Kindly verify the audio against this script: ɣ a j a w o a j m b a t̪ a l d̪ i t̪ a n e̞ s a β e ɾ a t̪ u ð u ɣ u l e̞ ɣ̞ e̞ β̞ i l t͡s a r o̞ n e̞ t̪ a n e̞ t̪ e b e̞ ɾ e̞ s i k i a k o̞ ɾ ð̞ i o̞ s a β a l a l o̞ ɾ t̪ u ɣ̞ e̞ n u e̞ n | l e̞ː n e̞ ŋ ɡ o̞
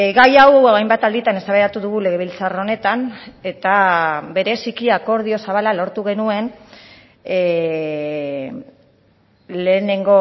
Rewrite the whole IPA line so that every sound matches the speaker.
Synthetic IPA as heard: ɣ a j a w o a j m b a t̪ a l d̪ i t̪ a n e̞ s a β e ɾ a t̪ u ð u ɣ u l e̞ ɣ̞ e̞ β̞ i l t͡s a r o̞ n e̞ t̪ a n e̞ t̪ a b e̞ ɾ e̞ s i k i a k o̞ ɾ ð̞ i o̞ s a β a l a l o̞ ɾ t̪ u ɣ̞ e̞ n u e̞ n | l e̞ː n e̞ ŋ ɡ o̞